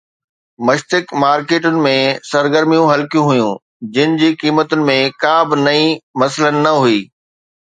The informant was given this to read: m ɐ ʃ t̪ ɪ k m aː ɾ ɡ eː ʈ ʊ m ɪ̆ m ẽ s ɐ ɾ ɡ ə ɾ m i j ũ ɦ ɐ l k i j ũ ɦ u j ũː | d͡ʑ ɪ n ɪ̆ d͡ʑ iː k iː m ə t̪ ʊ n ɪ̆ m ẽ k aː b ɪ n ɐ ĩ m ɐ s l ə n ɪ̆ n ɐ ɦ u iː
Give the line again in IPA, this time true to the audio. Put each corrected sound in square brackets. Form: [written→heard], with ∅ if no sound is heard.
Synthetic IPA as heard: m ɐ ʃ t̪ ɪ k m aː ɾ [ɡ→k] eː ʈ ʊ [m→n] ɪ̆ m ẽ s ɐ ɾ ɡ ə ɾ m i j ũ ɦ ɐ l k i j ũ ɦ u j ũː | d͡ʑ ɪ n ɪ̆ d͡ʑ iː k iː m ə t̪ ʊ n ɪ̆ m ẽ k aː b ɪ n ɐ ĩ m ɐ s l ə n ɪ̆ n ɐ ɦ u iː